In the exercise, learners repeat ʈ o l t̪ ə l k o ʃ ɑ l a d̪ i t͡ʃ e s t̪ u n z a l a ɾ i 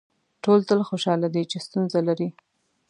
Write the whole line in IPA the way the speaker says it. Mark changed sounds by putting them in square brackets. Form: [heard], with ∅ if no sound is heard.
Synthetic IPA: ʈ o l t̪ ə l [x] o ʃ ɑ l a d̪ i t͡ʃ e s t̪ u n z a l a ɾ i

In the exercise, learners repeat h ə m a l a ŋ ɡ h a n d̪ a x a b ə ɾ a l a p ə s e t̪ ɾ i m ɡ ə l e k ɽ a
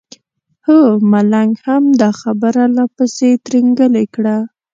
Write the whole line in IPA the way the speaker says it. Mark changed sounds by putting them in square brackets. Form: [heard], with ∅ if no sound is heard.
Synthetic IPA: h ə m a l a ŋ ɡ h a [m] d̪ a x a b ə ɾ a l a p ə s e t̪ ɾ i [ŋ] ɡ ə l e k ɽ a

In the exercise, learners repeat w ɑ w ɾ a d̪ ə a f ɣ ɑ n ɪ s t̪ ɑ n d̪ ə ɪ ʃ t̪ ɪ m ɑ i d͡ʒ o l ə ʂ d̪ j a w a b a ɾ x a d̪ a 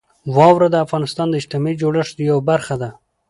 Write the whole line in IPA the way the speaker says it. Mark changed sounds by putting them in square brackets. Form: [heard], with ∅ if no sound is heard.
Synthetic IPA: w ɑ w ɾ a d̪ ə a f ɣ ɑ n ɪ s t̪ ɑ n d̪ ə ɪ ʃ t̪ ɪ m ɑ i d͡ʒ o [ɽ] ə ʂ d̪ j a w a b a ɾ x a d̪ a

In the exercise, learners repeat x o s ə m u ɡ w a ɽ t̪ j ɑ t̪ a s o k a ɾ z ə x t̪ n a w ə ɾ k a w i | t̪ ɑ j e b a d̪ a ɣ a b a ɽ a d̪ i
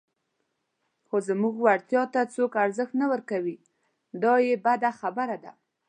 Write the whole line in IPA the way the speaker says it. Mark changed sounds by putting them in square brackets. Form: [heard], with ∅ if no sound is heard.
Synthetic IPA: x o [z] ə m u ɡ w a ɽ t̪ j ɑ t̪ a [t͡s] o k a ɾ z ə x t̪ n a w ə ɾ k a w i | [d̪] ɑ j e b a d̪ a [x] a b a [ɾ] a d̪ [a]

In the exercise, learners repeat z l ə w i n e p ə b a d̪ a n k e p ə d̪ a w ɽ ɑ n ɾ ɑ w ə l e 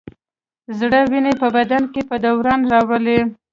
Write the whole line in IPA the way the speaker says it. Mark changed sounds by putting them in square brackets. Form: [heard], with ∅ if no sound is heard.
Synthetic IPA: z [ɽ] ə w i n e p ə b a d̪ a n k e p ə d̪ a w [ɾ] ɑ n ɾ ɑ w ə l e

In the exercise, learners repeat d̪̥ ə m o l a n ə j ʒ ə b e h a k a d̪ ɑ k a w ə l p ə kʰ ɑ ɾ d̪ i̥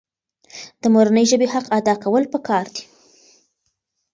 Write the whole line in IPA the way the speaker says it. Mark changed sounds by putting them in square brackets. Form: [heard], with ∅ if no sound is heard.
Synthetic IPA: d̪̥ ə m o [ɾ] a n ə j ʒ ə b e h a [q] a d̪ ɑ k a w ə l p ə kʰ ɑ ɾ d̪ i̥

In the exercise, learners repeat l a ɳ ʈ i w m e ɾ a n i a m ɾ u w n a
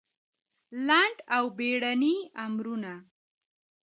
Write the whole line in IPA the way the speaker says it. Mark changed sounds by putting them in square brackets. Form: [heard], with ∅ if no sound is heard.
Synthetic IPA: l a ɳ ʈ [a] w [b] e [ɽ] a n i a m ɾ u [∅] n a

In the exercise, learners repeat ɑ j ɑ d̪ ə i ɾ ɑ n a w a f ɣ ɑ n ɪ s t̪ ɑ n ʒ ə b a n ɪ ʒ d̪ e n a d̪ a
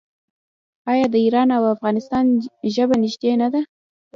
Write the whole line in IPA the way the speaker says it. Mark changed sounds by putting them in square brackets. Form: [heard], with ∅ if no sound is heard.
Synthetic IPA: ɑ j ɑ d̪ ə i ɾ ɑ n a w a f ɣ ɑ n ɪ s t̪ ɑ n ʒ ə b a n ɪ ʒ d̪ e n a d̪ a

